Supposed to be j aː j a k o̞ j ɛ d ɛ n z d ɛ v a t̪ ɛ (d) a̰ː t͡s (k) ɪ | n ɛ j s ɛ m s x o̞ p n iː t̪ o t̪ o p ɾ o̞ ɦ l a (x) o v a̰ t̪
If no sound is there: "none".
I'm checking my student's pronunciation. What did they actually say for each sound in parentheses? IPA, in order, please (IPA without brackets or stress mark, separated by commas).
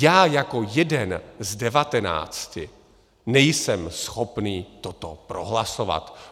n, c, s